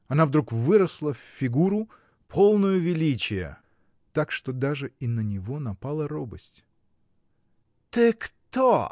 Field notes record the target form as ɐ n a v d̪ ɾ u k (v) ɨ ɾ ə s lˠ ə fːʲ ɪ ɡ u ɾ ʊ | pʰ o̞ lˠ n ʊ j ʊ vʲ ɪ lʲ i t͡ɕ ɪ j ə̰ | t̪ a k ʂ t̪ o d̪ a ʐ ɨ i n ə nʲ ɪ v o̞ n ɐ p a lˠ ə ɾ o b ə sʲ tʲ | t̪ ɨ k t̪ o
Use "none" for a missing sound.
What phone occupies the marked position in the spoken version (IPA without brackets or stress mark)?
v